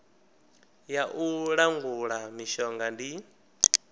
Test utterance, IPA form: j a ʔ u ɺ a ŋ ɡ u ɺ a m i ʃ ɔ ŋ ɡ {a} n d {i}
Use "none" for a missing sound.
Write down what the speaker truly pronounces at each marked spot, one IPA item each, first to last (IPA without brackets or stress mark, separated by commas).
a, i